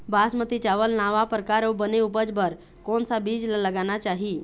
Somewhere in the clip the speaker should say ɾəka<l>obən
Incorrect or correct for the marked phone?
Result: incorrect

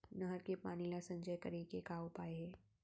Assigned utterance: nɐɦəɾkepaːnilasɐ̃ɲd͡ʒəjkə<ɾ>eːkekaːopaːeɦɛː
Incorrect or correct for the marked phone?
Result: correct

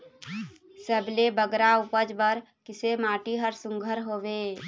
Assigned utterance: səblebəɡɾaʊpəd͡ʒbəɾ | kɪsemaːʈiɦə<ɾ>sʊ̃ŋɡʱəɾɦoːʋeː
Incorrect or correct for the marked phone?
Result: correct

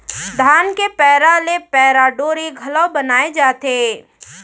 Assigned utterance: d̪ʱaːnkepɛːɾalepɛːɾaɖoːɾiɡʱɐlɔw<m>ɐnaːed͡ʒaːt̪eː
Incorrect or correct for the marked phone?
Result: incorrect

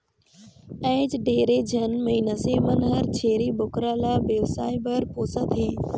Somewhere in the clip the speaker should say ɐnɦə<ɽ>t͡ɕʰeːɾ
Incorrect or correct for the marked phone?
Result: incorrect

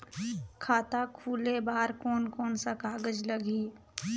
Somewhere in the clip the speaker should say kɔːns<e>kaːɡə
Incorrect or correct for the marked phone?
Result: incorrect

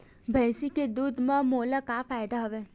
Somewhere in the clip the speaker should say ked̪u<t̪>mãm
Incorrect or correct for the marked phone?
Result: incorrect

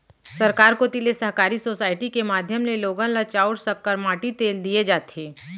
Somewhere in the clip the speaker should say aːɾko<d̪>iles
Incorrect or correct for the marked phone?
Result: incorrect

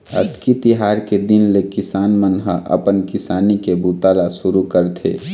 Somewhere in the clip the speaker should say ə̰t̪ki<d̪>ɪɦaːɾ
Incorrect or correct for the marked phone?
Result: incorrect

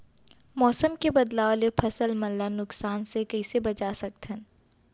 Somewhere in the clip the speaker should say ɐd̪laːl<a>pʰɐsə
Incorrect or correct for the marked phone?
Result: incorrect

